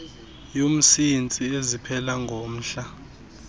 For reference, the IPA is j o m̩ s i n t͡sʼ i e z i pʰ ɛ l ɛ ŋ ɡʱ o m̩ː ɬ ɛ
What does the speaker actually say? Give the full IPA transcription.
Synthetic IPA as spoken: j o m̩ s i n t͡sʼ i e z i pʰ ɛ l a ŋ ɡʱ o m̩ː ɬ a